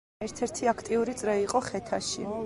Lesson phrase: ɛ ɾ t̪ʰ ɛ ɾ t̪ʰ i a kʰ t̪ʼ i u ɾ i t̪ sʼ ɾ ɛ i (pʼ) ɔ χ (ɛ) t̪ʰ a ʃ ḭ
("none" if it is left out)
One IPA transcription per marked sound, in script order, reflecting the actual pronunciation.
qʼ, ɛ

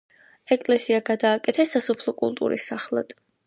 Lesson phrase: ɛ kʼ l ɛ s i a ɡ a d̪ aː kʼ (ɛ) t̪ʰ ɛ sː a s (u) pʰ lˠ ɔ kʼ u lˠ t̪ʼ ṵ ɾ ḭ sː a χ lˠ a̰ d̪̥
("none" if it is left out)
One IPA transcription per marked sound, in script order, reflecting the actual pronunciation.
ɛ, ɔ

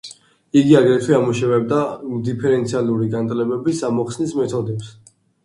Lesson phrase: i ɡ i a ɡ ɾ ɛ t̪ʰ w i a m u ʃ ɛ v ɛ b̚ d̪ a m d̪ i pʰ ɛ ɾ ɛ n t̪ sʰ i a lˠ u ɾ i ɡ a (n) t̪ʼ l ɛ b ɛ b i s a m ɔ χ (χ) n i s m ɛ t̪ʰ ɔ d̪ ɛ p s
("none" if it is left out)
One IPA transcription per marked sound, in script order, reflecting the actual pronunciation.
n, s

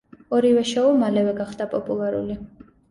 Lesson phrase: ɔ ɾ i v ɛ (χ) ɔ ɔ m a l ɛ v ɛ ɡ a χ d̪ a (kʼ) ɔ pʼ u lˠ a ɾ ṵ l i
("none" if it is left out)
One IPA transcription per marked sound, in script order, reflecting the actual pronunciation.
ʃ, pʼ

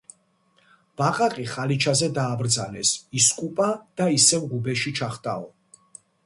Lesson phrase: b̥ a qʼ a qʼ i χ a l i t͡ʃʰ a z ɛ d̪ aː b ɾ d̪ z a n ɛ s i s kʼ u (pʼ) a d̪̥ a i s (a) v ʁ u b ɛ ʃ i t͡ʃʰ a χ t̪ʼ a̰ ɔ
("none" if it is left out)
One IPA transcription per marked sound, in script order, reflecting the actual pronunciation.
pʼ, ɛ

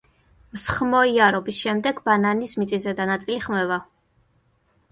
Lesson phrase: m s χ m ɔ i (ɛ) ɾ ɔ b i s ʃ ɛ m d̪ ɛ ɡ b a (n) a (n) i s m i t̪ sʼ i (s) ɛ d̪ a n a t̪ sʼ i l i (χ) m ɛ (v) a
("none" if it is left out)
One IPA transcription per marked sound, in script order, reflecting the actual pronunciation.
a, n, n, z, χ, v

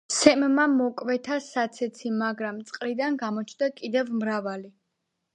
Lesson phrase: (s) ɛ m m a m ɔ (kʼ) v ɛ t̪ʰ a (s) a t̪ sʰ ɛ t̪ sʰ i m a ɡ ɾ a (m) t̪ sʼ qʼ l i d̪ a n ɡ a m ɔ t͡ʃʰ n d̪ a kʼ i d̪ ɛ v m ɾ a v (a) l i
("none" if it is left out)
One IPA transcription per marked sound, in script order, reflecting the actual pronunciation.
s, kʼ, s, m, a

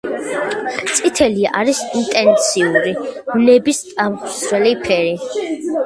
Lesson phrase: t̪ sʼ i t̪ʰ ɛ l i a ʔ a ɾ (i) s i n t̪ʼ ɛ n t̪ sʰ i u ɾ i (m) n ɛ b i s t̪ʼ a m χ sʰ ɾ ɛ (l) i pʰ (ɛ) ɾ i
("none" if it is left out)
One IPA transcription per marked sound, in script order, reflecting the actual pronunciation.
i, m, l, ɛ

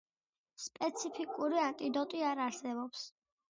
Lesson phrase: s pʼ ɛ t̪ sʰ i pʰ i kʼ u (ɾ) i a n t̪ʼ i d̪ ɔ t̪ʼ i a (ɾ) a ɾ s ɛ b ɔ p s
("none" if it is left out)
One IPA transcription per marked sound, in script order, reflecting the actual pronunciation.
ɾ, ɾ

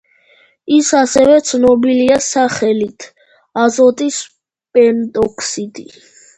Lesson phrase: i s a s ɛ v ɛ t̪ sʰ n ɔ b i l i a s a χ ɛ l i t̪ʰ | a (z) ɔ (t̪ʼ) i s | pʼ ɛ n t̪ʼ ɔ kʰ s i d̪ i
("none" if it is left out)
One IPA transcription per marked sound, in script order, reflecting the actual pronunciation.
z, t̪ʼ

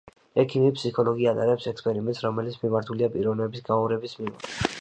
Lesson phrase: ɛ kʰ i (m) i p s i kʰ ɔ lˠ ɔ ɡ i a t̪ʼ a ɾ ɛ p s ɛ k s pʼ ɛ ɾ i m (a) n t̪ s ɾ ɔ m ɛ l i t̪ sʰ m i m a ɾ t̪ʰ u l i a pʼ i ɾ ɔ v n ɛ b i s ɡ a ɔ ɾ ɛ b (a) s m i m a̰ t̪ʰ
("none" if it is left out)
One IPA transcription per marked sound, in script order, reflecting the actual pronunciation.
m, ɛ, i

